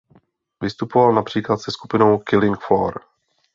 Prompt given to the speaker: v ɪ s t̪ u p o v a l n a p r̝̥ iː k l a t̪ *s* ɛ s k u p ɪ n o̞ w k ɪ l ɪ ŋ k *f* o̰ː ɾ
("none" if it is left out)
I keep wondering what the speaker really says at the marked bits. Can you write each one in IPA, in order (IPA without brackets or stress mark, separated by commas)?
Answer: s, f